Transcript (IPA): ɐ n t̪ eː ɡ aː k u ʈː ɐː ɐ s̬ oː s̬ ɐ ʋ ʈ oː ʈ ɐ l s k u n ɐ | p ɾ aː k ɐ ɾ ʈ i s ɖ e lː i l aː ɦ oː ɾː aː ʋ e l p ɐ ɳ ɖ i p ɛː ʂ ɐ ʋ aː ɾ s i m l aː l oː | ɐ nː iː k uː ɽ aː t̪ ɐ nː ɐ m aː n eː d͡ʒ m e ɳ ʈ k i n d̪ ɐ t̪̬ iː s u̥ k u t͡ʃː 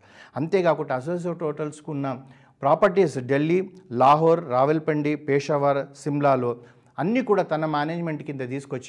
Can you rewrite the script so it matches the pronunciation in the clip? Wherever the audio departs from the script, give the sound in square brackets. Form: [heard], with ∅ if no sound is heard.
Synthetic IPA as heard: ɐ n t̪ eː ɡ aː k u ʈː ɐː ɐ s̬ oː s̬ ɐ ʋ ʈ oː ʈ ɐ l s k u [nː] ɐ | p ɾ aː [p] ɐ ɾ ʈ i s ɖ e lː i l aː ɦ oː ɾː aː ʋ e l p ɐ ɳ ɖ i p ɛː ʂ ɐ ʋ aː ɾ s i m l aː l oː | ɐ nː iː k uː ɽ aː t̪ ɐ [n] ɐ m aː n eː d͡ʒ m e ɳ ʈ k i n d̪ ɐ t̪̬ iː s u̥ k [o] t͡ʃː